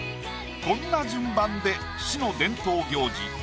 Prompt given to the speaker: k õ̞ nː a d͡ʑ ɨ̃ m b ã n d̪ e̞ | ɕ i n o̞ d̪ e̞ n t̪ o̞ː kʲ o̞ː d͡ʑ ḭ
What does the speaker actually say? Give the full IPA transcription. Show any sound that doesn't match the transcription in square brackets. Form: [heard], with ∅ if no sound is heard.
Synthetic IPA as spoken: k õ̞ nː a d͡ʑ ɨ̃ m b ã n d̪ e̞ | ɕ i n o̞ d̪ [ẽ̞] n t̪ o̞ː [ɡʲ] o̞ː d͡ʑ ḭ